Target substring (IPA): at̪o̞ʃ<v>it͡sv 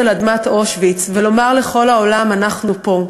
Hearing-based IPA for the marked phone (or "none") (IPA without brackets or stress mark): v